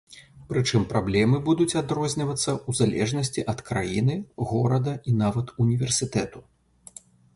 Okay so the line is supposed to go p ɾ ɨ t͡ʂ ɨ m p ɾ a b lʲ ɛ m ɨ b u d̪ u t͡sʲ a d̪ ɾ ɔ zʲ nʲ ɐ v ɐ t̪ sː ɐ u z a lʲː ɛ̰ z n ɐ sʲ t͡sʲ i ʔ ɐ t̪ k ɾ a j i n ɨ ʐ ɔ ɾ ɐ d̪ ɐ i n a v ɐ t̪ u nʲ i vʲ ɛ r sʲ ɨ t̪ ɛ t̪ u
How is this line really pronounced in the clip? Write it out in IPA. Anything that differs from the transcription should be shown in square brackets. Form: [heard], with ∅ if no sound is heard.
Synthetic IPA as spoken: p ɾ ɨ t͡ʂ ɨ m p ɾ a b lʲ ɛ m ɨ b u d̪ u t͡sʲ a d̪ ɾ ɔ zʲ nʲ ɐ v ɐ t̪ sː ɐ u z a [lʲ] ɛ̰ [ʐ] n ɐ sʲ t͡sʲ i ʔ ɐ t̪ k ɾ a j i n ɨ [ɣ] ɔ ɾ ɐ d̪ ɐ i n a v ɐ t̪ u nʲ i vʲ ɛ r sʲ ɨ t̪ ɛ t̪ u